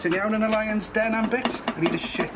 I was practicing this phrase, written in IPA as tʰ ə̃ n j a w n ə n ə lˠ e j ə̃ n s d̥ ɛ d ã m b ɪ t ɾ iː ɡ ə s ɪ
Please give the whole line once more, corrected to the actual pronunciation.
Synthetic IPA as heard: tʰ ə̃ n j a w n ə n ə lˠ a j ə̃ n s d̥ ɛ n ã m b ɪ t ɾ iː d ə ʃ ɪ